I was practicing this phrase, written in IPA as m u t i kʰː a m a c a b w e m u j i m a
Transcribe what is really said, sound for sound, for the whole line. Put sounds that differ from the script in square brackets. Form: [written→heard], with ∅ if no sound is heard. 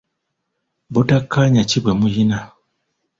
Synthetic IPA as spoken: [m→b] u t [i→a] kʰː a [m→ɲ] a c [a→i] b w e m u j i [m→n] a